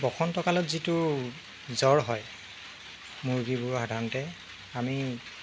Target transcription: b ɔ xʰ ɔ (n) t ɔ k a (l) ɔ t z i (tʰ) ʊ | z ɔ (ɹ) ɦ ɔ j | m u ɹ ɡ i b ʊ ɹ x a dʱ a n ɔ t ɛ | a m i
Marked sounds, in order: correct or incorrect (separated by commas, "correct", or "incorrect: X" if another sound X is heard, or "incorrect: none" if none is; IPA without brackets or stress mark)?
correct, correct, incorrect: t, correct